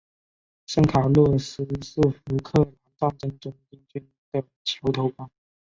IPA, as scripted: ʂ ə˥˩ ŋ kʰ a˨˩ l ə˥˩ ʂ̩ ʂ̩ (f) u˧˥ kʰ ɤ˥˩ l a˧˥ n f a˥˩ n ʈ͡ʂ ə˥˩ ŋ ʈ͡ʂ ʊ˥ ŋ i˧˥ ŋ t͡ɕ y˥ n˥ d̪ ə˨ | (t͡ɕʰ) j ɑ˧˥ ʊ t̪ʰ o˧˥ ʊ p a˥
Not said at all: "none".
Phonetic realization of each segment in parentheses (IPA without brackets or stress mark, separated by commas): f, t͡ɕʰ